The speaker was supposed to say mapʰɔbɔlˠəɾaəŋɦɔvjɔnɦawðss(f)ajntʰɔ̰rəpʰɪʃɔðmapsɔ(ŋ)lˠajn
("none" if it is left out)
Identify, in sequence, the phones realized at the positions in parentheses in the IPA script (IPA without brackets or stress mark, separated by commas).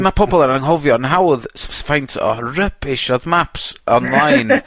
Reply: f, n